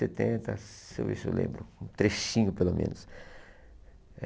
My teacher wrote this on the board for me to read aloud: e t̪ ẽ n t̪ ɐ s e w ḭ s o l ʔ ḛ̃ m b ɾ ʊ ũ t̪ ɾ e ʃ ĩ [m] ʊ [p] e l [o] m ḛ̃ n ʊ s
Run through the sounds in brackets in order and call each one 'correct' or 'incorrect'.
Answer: incorrect, correct, correct

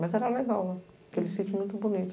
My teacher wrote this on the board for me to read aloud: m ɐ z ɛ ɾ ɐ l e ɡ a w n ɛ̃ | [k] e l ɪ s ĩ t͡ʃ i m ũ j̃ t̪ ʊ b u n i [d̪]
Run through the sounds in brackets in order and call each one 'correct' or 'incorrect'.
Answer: correct, incorrect

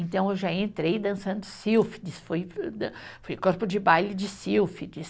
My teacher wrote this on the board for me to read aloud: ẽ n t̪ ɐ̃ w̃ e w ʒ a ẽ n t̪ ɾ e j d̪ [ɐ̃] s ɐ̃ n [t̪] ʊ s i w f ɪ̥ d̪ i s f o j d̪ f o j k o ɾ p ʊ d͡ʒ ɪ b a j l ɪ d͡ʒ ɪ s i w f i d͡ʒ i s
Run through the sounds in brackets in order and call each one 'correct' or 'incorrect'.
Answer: correct, incorrect

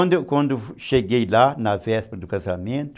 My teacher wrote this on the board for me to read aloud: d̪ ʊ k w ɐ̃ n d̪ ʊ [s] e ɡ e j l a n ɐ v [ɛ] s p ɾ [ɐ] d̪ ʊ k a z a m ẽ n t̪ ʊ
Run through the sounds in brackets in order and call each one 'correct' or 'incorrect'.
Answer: incorrect, correct, correct

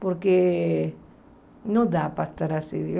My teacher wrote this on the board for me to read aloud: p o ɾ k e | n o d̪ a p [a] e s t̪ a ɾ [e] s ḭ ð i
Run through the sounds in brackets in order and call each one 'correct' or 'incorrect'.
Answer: correct, incorrect

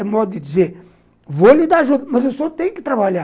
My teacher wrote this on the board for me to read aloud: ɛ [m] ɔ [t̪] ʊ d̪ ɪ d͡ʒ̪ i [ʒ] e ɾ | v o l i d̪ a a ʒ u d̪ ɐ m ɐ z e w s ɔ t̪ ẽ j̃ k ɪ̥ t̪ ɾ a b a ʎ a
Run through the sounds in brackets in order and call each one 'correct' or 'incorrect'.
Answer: correct, incorrect, incorrect

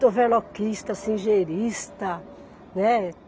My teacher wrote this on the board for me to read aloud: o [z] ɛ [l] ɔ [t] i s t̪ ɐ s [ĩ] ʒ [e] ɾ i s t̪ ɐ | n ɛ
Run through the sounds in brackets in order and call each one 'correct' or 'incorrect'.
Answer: incorrect, correct, incorrect, correct, correct

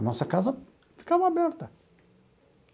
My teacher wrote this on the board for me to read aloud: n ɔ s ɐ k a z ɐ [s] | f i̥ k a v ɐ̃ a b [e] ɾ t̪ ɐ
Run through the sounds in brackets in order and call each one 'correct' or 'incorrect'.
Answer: incorrect, incorrect

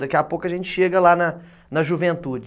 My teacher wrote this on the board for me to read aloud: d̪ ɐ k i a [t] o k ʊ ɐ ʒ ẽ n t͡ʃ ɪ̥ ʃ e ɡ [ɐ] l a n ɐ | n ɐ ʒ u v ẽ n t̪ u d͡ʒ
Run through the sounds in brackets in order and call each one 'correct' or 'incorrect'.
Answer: incorrect, correct

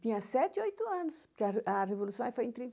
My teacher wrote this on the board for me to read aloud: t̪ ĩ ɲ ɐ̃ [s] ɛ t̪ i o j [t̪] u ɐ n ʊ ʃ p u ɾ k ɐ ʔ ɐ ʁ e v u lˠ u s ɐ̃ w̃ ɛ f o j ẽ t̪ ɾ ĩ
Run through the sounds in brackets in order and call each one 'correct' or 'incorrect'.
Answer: correct, correct

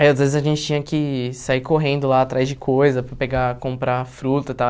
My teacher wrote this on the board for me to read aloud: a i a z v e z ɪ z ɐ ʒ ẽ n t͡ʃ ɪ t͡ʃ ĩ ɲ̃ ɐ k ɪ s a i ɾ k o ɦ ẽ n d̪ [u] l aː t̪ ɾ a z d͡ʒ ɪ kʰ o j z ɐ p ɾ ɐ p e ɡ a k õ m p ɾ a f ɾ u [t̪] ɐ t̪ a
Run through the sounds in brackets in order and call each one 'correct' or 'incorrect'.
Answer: incorrect, correct

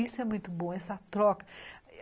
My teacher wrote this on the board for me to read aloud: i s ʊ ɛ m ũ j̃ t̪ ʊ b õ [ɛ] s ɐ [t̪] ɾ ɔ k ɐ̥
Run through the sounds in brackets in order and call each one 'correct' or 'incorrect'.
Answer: correct, correct

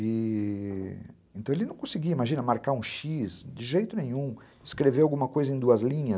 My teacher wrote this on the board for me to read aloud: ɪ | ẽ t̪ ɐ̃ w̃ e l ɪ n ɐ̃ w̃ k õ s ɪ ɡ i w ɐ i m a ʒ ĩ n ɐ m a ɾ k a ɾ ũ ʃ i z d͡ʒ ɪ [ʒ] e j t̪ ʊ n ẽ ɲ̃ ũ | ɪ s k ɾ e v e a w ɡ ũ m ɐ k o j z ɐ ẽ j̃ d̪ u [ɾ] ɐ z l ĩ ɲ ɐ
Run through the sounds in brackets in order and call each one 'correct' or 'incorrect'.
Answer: correct, incorrect

